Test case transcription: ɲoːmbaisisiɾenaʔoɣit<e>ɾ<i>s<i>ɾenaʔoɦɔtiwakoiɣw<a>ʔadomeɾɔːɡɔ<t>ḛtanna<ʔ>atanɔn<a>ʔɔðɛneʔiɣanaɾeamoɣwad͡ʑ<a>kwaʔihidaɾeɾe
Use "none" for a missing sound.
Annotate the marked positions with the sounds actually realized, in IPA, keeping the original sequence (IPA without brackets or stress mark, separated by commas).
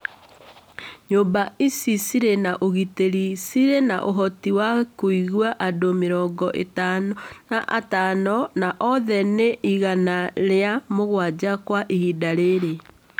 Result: e, i, i, a, ʔ, ʔ, a, a